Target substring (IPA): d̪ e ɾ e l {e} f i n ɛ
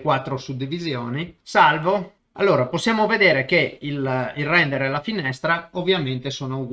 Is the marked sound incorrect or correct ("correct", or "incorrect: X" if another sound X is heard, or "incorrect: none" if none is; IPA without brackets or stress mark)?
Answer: incorrect: a